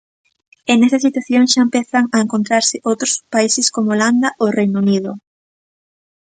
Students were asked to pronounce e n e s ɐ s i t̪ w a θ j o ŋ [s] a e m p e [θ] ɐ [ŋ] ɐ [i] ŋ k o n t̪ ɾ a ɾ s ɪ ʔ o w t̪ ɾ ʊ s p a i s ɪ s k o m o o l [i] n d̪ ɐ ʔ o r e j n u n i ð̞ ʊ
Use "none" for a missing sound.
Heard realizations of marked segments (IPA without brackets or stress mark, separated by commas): ʃ, θ, ŋ, e, a